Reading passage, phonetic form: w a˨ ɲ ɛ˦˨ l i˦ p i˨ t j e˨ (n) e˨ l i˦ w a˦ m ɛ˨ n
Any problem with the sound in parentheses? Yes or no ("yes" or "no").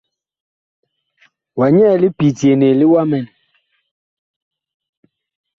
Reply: no